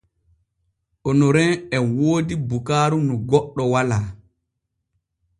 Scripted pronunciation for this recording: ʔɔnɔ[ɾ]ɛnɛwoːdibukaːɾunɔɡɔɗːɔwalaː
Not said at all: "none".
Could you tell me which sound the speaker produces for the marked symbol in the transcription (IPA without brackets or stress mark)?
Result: ɾ